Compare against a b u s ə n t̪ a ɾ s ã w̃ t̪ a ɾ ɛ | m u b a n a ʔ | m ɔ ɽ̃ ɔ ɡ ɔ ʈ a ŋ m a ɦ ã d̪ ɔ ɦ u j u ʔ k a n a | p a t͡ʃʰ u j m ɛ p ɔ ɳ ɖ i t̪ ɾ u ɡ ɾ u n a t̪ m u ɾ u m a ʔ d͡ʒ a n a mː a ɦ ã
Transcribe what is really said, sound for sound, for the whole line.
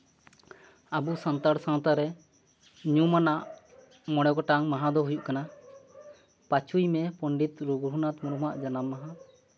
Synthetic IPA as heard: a b u s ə n t̪ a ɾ s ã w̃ t̪ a ɾ ɛ | ɲ u m a n a ʔ | m ɔ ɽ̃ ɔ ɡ ɔ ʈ a ŋ m a ɦ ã d̪ ɔ ɦ u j u ʔ k a n a | p a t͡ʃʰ u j m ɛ p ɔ ɳ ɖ i t̪ ɾ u ɡ ɾ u n a t̪ m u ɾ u m a ʔ d͡ʒ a n a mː a ɦ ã